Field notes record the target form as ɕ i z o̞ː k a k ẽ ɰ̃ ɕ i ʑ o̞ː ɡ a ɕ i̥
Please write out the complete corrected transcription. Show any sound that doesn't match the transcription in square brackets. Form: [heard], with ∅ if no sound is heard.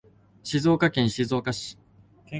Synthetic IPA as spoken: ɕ i z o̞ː k a k ẽ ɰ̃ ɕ i [z] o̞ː [k] a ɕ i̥